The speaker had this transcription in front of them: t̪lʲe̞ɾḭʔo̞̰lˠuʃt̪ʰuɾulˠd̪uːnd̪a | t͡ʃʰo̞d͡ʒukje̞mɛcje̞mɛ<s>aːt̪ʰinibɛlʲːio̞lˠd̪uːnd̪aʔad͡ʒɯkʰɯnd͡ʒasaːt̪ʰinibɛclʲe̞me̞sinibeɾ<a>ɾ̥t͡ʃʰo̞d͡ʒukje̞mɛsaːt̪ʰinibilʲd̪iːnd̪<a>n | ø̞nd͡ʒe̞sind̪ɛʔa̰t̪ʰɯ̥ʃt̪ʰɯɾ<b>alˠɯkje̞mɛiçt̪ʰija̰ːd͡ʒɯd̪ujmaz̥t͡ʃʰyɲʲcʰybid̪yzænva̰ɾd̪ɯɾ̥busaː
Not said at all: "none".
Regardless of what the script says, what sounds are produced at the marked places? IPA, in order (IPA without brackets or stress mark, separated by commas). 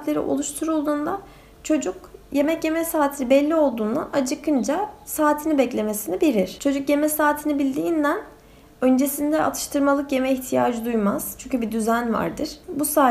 s, i, æ, m